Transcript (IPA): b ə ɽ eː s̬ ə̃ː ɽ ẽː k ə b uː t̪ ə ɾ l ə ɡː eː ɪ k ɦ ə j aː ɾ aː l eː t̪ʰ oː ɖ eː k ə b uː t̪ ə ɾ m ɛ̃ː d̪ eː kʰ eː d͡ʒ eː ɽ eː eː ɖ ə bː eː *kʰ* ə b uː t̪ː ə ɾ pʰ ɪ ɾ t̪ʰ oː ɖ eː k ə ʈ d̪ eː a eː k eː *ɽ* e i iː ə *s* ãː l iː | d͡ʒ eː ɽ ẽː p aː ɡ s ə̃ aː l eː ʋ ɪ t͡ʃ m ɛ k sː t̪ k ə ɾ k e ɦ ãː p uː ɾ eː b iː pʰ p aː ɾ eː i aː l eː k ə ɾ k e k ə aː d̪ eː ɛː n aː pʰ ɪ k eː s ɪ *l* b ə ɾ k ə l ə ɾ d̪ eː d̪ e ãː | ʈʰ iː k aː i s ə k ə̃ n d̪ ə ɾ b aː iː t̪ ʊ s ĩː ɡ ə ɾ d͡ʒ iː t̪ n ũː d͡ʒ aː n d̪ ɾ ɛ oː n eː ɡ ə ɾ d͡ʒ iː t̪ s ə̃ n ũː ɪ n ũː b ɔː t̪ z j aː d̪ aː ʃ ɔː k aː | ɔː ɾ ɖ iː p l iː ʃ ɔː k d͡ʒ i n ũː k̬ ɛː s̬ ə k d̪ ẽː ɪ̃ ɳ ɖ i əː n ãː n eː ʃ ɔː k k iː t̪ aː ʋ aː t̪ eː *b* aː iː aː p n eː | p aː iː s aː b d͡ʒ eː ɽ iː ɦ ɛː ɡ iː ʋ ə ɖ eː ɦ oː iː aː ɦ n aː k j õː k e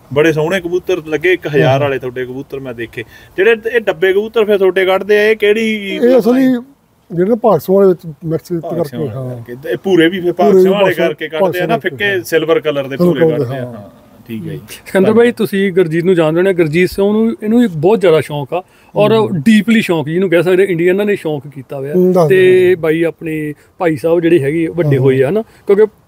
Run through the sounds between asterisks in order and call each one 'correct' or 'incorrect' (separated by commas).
incorrect, correct, correct, correct, correct